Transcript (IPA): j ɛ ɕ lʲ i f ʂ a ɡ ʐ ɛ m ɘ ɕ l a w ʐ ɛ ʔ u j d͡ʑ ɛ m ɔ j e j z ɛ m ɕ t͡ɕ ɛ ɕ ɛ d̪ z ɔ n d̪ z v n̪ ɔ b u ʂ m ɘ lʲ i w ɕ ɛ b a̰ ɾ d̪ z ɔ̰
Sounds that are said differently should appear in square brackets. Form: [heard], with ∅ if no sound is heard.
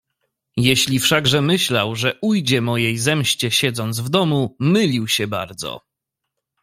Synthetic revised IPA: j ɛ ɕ lʲ i f ʂ a ɡ ʐ ɛ m ɘ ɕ l a w ʐ ɛ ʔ u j d͡ʑ ɛ m ɔ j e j z ɛ m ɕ t͡ɕ ɛ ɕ ɛ d̪ z ɔ n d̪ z v [d̪] ɔ [m] u [∅] m ɘ lʲ i w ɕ ɛ b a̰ ɾ d̪ z ɔ̰